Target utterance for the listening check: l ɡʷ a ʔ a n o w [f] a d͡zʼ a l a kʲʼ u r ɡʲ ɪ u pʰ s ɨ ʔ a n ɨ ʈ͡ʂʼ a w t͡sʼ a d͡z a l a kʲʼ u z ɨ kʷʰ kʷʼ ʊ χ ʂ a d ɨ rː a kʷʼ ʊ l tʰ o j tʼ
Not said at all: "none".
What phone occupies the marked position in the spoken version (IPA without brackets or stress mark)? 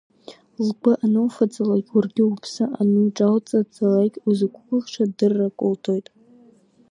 f